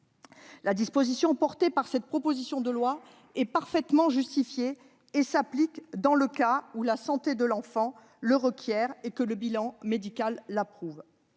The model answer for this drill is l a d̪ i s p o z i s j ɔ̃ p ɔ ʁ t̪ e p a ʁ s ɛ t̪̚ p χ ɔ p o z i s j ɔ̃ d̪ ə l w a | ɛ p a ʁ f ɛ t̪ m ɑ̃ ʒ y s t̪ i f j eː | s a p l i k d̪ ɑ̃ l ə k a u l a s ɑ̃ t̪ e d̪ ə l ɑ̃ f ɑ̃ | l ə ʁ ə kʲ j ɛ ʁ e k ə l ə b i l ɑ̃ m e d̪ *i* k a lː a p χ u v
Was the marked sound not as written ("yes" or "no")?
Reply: no